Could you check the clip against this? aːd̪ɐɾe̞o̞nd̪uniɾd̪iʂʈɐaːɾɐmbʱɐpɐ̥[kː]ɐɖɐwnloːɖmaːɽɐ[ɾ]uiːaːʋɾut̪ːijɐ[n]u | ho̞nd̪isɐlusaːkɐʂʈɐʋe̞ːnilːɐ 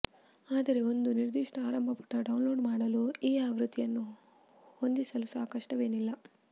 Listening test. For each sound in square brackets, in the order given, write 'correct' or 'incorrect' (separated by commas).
incorrect, incorrect, incorrect